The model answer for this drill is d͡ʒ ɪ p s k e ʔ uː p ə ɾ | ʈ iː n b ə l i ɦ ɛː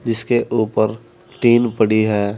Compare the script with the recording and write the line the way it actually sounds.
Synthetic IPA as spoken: d͡ʒ ɪ s k e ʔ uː p ə ɾ | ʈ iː n p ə ɽ i ɦ ɛː